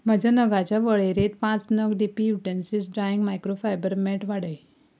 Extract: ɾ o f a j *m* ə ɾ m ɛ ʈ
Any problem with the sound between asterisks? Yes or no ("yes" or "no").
yes